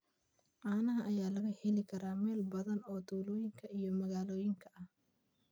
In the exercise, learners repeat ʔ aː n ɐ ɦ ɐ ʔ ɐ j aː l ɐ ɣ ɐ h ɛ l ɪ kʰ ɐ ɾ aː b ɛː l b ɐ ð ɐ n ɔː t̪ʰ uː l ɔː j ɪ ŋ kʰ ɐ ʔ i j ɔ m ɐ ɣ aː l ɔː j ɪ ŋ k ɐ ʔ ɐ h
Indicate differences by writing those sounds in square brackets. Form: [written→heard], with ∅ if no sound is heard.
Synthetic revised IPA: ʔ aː n ɐ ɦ ɐ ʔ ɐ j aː l ɐ ɣ ɐ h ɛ l ɪ kʰ ɐ ɾ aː [b→m] ɛː l b ɐ ð ɐ n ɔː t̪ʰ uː l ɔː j ɪ ŋ kʰ ɐ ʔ i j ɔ m ɐ ɣ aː l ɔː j ɪ ŋ [k→kʰ] ɐ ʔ ɐ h